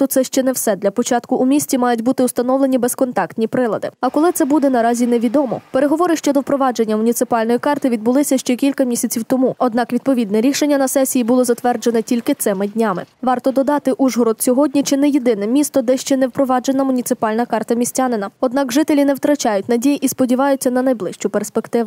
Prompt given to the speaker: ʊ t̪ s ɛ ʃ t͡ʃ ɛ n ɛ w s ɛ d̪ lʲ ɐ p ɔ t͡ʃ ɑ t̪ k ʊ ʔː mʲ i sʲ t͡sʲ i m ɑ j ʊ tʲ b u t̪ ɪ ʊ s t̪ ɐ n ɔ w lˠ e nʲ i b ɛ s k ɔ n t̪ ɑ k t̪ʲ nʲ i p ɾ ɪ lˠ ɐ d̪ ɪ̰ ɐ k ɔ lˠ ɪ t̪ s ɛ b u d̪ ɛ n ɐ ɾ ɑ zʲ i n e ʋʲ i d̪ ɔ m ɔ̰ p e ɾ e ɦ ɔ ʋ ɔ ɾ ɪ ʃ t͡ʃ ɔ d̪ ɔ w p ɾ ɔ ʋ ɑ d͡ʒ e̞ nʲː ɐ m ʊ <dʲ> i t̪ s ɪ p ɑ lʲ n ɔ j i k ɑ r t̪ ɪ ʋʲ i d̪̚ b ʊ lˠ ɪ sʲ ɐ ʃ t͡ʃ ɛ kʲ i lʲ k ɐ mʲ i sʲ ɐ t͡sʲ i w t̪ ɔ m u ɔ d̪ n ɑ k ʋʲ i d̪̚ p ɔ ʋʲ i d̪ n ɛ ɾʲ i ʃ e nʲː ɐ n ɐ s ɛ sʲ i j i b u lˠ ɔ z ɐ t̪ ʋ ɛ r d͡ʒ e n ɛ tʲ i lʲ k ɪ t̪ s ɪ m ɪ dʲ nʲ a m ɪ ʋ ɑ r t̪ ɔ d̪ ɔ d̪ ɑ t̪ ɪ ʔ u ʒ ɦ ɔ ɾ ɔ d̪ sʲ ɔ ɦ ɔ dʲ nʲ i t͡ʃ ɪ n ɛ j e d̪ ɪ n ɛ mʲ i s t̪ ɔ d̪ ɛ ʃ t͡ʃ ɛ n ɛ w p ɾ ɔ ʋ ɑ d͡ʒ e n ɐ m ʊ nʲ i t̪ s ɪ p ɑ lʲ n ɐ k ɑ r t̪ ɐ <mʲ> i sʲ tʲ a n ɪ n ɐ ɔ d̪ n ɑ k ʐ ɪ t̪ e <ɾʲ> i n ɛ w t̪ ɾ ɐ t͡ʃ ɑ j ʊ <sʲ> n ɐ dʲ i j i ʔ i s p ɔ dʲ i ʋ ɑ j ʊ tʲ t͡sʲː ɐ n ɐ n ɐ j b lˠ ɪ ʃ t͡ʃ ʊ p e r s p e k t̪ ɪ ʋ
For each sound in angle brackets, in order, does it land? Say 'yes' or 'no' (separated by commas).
no, yes, no, no